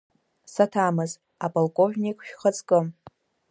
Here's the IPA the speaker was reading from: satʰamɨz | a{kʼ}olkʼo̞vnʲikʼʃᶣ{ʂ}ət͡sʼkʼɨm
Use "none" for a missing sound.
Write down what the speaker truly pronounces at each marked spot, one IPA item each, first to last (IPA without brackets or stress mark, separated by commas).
pʼ, χ